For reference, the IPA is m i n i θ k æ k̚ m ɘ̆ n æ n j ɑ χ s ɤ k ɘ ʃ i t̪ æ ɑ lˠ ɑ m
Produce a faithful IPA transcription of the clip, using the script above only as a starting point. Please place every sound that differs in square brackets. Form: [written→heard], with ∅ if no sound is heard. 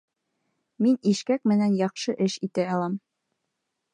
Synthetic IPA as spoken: m i n i [θ→ʃ] k æ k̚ m ɘ̆ n æ n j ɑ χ [s→ʃ] ɤ [k→ʔ] ɘ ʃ i t̪ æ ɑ lˠ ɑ m